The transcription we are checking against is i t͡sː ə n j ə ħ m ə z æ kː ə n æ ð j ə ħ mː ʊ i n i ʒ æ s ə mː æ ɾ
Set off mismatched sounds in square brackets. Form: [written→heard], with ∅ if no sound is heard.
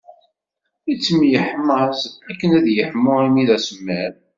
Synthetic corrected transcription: i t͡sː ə [n→m] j ə ħ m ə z æ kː ə n æ ð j ə ħ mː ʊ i [n→m] i [ʒ→ð] æ s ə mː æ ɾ